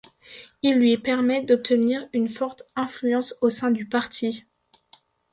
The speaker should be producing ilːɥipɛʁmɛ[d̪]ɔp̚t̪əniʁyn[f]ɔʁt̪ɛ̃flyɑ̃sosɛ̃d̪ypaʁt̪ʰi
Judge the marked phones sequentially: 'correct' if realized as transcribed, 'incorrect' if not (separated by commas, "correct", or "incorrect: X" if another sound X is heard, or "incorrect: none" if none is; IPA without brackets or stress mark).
correct, correct